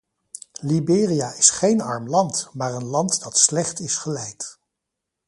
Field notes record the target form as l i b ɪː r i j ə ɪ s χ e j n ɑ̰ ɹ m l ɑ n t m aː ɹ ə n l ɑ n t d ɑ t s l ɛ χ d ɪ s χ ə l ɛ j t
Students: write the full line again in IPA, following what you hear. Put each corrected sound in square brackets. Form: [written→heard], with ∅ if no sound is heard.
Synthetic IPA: l i b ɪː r i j [ə→a] ɪ s χ e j n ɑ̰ ɹ m l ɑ n t m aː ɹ ə n l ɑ n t d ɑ t s l ɛ χ [d→t] ɪ s χ ə l ɛ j t